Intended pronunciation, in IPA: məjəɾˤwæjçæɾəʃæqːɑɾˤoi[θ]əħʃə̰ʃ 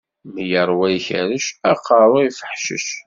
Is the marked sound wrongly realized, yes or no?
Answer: yes